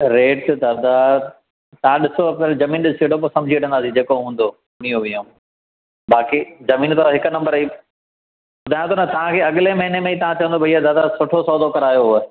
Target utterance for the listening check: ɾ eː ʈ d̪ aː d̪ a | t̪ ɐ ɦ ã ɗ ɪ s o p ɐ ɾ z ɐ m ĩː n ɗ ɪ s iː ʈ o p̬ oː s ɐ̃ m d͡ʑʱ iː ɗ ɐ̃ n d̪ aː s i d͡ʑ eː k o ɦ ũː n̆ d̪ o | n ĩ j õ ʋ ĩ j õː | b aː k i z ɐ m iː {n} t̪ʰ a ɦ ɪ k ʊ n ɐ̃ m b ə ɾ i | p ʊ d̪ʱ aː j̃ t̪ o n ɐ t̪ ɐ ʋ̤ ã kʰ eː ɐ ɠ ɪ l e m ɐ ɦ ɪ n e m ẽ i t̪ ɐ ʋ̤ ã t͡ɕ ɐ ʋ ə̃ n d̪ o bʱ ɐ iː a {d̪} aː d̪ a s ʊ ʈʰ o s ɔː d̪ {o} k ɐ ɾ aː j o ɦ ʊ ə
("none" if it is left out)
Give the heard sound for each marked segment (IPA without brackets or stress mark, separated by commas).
n, d̪, o